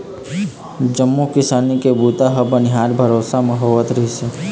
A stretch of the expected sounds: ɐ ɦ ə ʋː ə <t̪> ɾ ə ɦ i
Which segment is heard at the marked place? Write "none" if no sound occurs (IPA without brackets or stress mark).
t̪